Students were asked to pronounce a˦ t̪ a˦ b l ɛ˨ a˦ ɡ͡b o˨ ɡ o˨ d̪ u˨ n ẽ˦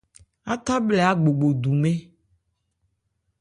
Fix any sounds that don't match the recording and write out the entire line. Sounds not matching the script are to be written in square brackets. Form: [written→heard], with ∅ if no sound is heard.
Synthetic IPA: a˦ t̪ a˦ b l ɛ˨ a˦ ɡ͡b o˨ [ɡ→ɡ͡b] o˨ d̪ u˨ [n→m] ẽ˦